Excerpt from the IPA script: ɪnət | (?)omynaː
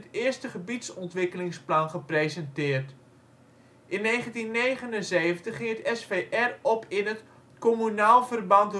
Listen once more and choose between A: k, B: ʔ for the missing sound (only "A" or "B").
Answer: A